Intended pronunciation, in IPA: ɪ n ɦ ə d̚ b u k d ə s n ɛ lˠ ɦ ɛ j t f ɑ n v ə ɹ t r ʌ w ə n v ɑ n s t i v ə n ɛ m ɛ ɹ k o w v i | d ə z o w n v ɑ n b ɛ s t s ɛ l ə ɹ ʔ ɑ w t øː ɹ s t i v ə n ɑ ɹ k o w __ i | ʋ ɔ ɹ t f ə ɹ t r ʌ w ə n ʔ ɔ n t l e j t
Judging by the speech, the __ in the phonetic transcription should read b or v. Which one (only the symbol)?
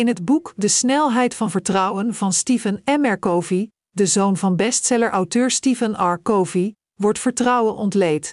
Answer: v